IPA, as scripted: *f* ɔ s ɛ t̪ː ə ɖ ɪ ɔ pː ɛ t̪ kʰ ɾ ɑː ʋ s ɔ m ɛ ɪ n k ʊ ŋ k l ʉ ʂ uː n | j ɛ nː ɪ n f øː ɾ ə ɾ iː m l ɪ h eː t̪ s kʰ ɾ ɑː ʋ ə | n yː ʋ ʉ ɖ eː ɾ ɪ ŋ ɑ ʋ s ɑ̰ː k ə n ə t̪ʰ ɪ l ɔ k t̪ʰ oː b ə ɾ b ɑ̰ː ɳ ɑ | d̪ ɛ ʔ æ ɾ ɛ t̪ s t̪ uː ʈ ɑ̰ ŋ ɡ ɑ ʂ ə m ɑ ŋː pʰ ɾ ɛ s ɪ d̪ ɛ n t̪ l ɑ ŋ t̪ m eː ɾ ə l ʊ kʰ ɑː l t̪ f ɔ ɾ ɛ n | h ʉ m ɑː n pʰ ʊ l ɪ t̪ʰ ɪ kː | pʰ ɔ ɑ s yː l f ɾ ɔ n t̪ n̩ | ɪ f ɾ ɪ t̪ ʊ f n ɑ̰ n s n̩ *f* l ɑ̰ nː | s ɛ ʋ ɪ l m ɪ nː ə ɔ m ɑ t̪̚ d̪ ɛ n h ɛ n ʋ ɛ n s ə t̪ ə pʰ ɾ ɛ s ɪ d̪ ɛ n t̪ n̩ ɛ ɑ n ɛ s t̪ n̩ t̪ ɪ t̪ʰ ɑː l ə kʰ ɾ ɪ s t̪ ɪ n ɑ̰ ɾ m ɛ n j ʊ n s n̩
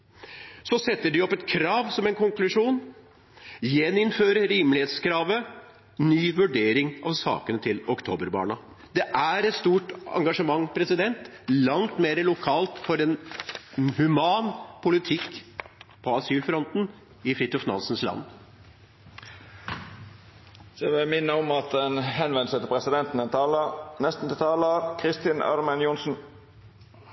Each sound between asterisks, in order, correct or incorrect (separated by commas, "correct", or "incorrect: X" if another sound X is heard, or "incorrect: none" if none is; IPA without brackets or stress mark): incorrect: s, incorrect: s